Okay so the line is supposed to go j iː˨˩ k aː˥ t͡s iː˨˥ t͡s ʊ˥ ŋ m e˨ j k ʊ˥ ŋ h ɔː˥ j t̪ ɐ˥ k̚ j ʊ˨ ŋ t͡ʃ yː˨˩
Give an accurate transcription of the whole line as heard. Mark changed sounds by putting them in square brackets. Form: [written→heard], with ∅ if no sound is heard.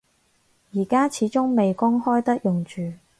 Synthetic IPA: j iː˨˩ k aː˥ [t͡s→t͡sʰ] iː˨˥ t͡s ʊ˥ ŋ m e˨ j k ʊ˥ ŋ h ɔː˥ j t̪ ɐ˥ k̚ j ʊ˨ ŋ t͡ʃ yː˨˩